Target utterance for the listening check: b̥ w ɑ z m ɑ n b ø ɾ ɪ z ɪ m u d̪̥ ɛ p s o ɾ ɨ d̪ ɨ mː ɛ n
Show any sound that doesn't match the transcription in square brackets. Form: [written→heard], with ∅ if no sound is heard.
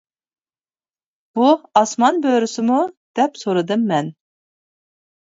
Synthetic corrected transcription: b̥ [w→u] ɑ [z→s] m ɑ n b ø ɾ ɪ [z→s] ɪ m u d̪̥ ɛ p s o ɾ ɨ d̪ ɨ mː ɛ n